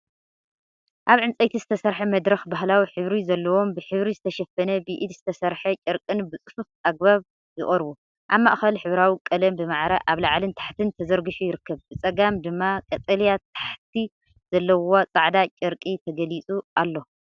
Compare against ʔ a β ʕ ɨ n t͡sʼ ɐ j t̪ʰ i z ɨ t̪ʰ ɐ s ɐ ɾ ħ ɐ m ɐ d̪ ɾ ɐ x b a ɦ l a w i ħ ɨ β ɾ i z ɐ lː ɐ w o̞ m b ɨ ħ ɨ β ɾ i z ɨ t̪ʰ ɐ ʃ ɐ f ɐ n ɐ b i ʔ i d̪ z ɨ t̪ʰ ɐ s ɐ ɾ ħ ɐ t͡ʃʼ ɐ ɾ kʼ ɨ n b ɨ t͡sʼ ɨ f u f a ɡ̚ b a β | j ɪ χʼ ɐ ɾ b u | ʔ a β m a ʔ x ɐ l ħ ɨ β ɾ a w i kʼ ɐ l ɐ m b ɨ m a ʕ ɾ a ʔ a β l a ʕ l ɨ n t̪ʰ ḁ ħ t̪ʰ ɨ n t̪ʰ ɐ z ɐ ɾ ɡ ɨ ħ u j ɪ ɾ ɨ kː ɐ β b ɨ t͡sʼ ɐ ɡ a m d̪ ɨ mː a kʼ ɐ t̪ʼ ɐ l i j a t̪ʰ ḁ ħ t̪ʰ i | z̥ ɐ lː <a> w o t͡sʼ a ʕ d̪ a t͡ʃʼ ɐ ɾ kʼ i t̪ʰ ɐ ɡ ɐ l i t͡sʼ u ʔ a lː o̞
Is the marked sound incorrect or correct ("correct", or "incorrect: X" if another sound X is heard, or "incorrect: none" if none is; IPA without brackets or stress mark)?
incorrect: ɐ